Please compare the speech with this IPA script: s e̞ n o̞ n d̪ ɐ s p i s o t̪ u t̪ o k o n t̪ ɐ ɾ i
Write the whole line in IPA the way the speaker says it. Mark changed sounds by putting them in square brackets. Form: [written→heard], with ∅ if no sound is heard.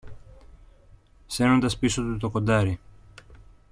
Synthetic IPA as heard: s e̞ n o̞ n d̪ ɐ s p i s o t̪ u t̪ o k o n [t̪→d̪] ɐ ɾ i